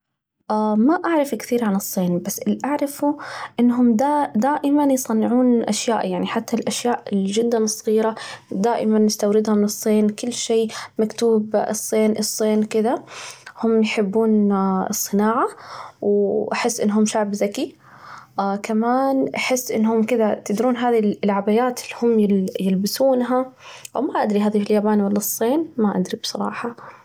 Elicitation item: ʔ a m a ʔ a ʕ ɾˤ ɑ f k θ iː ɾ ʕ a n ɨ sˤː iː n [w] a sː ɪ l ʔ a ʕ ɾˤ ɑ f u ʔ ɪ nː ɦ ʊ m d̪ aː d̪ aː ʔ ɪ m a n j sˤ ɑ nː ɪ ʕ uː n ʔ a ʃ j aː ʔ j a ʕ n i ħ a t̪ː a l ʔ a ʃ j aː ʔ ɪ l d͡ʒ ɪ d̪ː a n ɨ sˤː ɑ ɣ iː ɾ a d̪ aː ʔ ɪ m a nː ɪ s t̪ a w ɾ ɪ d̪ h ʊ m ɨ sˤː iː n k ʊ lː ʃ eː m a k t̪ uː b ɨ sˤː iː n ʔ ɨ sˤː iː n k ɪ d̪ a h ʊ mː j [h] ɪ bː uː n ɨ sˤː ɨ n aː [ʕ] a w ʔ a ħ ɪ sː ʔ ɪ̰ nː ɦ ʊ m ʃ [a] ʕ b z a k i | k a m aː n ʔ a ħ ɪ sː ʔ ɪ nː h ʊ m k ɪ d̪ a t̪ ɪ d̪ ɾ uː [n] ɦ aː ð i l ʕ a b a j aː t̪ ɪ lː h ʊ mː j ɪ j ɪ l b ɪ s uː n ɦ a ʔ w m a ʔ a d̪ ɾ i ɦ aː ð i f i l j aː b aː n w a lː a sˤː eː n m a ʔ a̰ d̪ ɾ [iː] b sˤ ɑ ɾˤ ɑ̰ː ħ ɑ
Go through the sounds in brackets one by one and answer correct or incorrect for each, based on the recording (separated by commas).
incorrect, incorrect, correct, correct, correct, incorrect